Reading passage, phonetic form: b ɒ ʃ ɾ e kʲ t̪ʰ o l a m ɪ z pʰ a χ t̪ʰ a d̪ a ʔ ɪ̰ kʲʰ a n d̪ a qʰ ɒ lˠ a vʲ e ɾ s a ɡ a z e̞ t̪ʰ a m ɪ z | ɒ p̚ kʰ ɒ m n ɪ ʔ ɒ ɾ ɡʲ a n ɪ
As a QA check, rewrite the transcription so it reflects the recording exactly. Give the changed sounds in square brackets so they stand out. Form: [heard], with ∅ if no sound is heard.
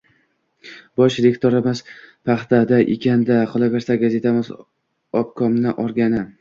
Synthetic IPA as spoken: b ɒ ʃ ɾ e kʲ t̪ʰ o [ɾ] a m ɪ z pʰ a χ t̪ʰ a d̪ a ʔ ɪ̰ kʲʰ a n d̪ a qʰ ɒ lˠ a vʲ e ɾ s a ɡ a z e̞ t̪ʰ a m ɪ z | ɒ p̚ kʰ ɒ m n ɪ ʔ ɒ ɾ ɡʲ a n ɪ